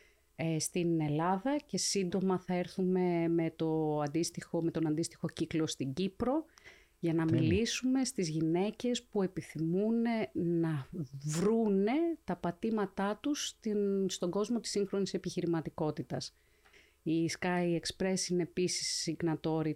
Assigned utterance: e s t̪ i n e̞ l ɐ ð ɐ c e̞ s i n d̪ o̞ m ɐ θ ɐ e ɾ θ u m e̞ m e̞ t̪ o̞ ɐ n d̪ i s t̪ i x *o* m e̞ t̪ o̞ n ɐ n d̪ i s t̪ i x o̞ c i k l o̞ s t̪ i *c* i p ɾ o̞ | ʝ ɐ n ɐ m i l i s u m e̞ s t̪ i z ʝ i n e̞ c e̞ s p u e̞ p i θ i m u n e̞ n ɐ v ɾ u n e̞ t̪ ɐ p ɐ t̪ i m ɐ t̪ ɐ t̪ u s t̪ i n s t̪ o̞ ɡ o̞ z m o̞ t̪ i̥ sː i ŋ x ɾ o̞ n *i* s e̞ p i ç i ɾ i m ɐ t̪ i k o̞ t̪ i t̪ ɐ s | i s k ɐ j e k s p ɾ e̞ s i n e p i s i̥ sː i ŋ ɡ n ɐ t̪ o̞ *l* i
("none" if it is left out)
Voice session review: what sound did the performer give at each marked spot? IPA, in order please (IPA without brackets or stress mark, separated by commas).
o, ɟ, i, ɾ